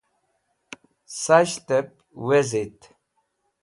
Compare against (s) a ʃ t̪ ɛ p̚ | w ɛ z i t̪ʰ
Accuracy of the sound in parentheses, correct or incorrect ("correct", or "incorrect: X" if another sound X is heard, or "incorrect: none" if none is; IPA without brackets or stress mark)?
correct